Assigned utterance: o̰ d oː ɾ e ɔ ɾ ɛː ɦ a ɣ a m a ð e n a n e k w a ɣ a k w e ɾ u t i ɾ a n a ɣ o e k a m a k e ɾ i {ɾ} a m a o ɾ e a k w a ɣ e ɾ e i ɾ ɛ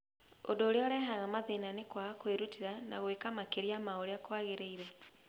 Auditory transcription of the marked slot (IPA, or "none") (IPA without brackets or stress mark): none